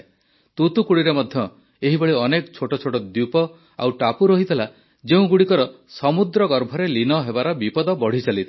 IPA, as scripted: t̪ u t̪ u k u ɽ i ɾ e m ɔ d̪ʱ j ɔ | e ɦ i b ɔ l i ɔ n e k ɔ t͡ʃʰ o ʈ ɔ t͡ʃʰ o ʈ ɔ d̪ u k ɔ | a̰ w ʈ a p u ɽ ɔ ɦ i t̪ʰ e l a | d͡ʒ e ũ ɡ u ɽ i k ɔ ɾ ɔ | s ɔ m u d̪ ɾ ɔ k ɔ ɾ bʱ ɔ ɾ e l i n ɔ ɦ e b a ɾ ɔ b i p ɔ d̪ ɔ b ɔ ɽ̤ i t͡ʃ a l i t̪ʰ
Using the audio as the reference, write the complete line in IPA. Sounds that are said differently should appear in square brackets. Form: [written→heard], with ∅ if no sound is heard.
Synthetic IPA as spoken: t̪ u t̪ u k u ɽ i ɾ e m ɔ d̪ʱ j ɔ | e ɦ i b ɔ [l→ɭ] i ɔ n e k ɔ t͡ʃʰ o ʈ ɔ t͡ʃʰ o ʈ ɔ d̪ u [k→p] ɔ | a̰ w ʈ a p u [ɽ→ɾ] ɔ ɦ i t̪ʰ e l a | d͡ʒ e ũ ɡ u ɽ i k ɔ ɾ ɔ | s ɔ m u d̪ ɾ ɔ [k→ɡ] ɔ ɾ bʱ ɔ ɾ e l i n ɔ ɦ e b a ɾ ɔ b i p ɔ d̪ ɔ b ɔ ɽ̤ i t͡ʃ a l i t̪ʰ